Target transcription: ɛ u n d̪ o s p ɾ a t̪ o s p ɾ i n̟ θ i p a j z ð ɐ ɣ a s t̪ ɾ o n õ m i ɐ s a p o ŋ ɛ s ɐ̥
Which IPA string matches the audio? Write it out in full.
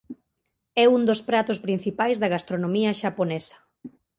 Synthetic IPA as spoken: ɛ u n d̪ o s p ɾ a t̪ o s p ɾ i n̟ θ i p a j z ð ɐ ɣ a s t̪ ɾ o n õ m i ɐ ʃ a p o n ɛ s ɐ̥